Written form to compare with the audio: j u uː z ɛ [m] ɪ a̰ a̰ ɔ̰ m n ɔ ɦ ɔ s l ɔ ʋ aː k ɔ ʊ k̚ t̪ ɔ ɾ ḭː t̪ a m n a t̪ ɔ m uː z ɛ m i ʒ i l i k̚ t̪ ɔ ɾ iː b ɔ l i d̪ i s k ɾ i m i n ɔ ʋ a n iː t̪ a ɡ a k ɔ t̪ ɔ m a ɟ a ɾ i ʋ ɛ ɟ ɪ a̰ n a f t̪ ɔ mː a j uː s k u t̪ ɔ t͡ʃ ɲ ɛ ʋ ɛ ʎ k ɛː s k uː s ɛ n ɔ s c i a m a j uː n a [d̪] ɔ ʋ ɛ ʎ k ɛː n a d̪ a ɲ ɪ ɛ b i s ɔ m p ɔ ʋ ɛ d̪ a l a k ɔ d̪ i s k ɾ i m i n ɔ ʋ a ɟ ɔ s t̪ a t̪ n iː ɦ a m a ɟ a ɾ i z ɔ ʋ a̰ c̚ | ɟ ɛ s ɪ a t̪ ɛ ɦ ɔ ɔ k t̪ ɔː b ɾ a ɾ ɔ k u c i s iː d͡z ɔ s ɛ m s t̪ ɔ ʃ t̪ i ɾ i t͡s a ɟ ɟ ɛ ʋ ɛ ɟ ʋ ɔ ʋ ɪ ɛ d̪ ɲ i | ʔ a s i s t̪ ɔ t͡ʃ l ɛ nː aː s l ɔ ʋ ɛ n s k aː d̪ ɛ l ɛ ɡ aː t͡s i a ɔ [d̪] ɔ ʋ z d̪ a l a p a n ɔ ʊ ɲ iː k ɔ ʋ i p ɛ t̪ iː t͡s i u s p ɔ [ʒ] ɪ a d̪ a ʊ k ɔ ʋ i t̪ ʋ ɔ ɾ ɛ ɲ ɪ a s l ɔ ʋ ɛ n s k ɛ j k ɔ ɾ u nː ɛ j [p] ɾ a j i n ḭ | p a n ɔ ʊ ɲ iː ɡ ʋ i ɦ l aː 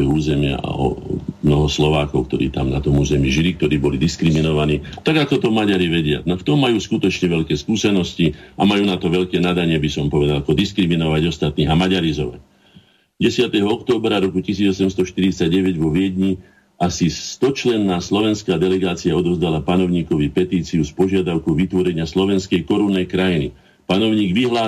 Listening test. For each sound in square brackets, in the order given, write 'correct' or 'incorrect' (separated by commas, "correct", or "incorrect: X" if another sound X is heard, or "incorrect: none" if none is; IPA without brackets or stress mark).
correct, incorrect: t̪, correct, correct, incorrect: k